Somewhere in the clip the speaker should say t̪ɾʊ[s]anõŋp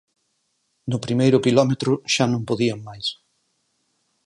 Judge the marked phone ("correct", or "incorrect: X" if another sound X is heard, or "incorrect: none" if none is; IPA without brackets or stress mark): incorrect: ʃ